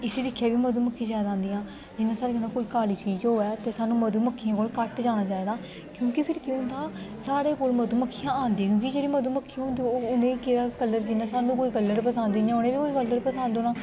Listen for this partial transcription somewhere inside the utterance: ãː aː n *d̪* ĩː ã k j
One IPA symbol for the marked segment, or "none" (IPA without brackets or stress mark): d̪